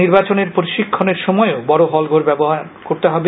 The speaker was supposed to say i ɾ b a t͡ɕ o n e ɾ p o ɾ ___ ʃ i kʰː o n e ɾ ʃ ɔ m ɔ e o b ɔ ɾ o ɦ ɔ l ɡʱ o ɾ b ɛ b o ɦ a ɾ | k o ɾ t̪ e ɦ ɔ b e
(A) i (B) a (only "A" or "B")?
A